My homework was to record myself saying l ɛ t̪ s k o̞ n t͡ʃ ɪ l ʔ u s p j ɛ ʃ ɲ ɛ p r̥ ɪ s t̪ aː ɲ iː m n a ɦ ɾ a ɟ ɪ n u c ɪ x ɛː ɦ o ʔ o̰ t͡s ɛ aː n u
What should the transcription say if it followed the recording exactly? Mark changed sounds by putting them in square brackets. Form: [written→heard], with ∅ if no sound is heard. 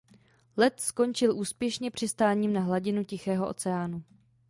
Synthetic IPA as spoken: l ɛ t̪ s k o̞ n t͡ʃ ɪ l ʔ [u→uː] s p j ɛ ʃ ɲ ɛ p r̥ ɪ s t̪ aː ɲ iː m n a ɦ [ɾ→l] a ɟ ɪ n u c ɪ x ɛː ɦ o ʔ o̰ t͡s ɛ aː n u